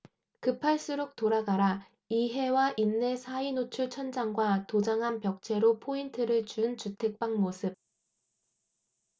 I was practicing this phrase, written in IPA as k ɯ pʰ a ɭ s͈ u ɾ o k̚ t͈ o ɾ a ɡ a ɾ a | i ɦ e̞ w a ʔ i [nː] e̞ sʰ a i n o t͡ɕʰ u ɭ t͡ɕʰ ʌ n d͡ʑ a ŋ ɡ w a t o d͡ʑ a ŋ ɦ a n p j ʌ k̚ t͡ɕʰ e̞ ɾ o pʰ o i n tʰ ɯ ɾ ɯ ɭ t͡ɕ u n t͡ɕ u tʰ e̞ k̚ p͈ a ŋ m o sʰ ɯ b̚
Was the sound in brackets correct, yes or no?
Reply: yes